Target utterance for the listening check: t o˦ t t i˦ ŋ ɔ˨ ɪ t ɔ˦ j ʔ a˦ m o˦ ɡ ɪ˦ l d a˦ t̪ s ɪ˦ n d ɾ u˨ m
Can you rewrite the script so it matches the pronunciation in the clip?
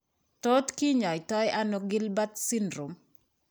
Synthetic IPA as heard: t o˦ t k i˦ ɲ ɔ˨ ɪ t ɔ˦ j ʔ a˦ n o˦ ɡ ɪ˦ l b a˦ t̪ s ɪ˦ n d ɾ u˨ m